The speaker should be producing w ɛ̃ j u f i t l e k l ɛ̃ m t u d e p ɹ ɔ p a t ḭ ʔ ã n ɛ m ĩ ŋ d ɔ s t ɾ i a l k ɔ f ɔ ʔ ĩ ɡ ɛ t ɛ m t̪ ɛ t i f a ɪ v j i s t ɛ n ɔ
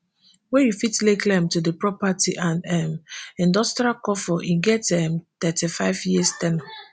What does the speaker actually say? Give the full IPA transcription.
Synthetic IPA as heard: w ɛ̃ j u f i t l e k l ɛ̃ m t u d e p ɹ ɔ p a t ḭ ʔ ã n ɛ m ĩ n d ɔ s t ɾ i a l k ɔ f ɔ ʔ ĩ ɡ ɛ t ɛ m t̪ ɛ t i f a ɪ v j i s t ɛ n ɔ